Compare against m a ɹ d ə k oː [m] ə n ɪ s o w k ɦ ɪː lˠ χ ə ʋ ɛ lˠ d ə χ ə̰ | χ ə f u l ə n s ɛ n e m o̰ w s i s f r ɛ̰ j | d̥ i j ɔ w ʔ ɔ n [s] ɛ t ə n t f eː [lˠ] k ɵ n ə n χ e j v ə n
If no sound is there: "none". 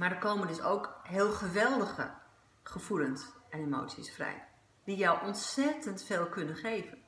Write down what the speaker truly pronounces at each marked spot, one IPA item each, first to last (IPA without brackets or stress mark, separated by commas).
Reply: m, s, lˠ